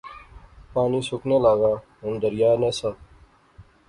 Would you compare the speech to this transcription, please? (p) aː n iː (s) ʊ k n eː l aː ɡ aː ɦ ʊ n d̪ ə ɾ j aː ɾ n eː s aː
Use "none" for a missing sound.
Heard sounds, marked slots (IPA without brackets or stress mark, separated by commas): p, s